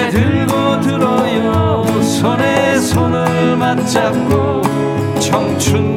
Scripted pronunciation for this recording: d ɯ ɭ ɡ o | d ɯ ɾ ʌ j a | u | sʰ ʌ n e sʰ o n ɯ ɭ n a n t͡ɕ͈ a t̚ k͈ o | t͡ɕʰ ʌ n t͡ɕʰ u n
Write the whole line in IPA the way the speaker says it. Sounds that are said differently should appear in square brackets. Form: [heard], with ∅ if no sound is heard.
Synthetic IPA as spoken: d ɯ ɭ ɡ o | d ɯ ɾ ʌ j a | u | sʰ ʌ n e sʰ o n ɯ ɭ [m] a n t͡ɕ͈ a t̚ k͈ o | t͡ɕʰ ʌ [ŋ] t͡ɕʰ u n